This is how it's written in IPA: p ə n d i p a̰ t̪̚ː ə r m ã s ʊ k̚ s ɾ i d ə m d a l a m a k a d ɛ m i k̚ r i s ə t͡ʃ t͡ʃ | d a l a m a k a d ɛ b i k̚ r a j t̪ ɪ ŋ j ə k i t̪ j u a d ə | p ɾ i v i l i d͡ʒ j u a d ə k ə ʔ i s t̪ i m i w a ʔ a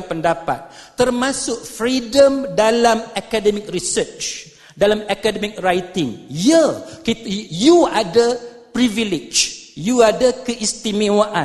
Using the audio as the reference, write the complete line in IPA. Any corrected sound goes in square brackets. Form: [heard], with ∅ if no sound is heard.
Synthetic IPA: p ə n d [a] p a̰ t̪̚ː ə r m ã s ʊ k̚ [f] ɾ i d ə m d a l a m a k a d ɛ m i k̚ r i s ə t͡ʃ t͡ʃ | d a l a m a k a d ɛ [m] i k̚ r a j t̪ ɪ ŋ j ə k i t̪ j u a d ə | p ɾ i v i l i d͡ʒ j u a d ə k ə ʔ i s t̪ i m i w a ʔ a